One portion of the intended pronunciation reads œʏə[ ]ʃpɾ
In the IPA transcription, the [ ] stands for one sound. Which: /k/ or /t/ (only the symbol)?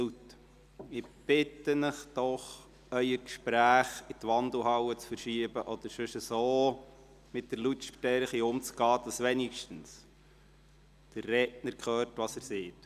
k